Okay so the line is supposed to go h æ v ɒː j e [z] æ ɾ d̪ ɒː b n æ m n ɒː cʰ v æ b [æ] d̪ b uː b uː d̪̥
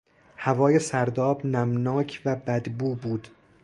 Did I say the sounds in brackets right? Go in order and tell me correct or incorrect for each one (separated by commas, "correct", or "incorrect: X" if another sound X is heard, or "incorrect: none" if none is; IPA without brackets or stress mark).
incorrect: s, correct